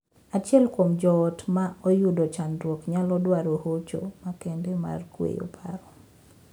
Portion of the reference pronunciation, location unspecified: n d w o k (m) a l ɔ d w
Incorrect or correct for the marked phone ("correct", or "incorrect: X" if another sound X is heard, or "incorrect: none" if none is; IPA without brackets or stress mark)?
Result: incorrect: ɲ